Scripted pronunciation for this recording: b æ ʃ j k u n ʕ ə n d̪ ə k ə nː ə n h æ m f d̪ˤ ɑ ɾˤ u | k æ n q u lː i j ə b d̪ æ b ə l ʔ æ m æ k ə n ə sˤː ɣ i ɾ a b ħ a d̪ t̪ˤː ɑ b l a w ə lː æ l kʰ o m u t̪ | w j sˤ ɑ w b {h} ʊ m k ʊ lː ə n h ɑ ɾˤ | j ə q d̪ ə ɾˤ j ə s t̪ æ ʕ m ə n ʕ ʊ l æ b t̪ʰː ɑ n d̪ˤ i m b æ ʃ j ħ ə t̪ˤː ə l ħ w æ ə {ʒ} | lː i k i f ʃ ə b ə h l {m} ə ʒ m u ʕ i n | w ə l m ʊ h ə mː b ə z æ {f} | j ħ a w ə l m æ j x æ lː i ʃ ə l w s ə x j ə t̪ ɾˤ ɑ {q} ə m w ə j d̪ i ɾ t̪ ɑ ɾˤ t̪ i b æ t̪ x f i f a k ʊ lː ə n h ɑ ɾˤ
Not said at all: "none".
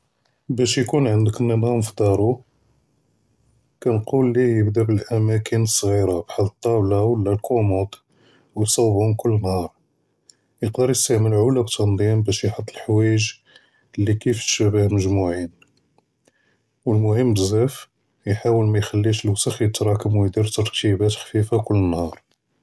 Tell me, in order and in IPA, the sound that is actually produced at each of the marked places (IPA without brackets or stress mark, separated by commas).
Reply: h, ʒ, m, f, k